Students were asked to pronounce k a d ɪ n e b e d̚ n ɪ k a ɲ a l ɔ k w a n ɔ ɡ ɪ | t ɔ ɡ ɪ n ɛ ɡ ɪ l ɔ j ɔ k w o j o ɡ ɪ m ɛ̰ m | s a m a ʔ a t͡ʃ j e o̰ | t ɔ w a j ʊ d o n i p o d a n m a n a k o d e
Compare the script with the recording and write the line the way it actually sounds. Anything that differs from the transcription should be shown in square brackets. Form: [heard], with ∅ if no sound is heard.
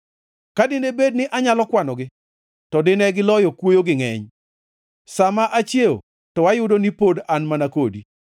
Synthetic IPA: k a d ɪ n e b e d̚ n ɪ [ʔ] a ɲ a l ɔ k w a n ɔ ɡ ɪ | t ɔ [d] ɪ n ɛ ɡ ɪ l ɔ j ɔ k w o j o ɡ ɪ [ŋ] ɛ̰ [ɲ] | s a m a ʔ a t͡ʃ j e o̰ | t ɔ w a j ʊ d o n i p o d a n m a n a k o d [i]